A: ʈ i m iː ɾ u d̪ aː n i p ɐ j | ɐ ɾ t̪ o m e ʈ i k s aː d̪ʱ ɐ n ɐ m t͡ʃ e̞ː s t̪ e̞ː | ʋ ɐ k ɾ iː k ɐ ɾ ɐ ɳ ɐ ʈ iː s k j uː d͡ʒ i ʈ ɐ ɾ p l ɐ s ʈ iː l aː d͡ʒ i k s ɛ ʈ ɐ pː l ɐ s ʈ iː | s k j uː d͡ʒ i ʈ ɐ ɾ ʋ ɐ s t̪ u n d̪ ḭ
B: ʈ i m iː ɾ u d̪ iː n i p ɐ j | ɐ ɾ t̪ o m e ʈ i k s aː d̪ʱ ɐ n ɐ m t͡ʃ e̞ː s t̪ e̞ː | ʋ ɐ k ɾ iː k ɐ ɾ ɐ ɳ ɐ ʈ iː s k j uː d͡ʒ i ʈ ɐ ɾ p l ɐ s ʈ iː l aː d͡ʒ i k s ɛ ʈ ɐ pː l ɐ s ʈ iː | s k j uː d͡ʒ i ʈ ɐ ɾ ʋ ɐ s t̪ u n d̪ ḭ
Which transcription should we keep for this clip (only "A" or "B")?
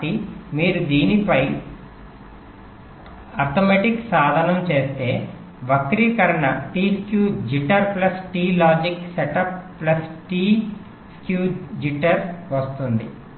B